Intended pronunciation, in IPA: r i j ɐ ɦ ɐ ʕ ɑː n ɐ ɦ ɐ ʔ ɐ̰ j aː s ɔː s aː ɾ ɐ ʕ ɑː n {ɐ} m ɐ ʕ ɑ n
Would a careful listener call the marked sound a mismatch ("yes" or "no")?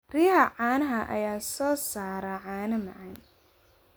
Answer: no